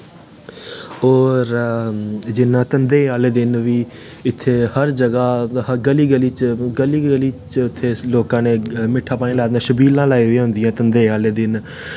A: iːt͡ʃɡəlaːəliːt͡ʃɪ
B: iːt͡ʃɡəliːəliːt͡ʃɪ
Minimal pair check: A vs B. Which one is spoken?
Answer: B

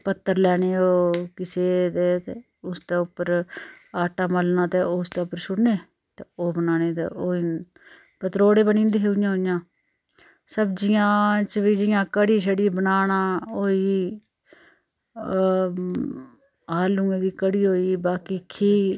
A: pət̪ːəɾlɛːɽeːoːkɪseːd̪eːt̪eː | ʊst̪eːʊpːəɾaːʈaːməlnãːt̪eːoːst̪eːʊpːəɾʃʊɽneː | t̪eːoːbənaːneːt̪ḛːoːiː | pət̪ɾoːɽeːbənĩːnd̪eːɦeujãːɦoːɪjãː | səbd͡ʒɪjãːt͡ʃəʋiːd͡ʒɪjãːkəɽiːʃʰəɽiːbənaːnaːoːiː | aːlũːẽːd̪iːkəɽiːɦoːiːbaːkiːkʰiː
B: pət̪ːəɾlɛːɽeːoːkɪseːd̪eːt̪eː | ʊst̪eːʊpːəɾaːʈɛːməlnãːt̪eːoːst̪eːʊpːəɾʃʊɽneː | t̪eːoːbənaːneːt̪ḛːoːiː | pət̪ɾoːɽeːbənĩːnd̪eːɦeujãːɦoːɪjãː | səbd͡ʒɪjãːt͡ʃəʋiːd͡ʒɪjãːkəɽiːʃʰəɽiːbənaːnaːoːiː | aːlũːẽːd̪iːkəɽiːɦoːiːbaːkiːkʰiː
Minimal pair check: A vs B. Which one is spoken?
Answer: A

